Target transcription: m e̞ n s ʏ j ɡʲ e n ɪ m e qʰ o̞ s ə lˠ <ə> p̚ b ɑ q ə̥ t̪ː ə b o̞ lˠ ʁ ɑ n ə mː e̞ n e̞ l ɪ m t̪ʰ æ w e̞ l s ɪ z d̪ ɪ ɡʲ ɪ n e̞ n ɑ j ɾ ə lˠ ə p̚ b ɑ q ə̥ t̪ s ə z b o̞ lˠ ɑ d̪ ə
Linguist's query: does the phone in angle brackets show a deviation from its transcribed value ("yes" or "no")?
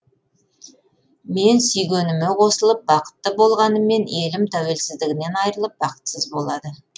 no